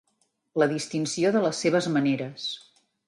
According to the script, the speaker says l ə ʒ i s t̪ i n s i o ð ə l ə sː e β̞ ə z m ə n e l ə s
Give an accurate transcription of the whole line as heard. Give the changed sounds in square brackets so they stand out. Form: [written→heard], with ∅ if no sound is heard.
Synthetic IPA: l ə [ʒ→ð] i s t̪ i n s i o ð ə l ə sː e β̞ ə z m ə n e [l→ɾ] ə s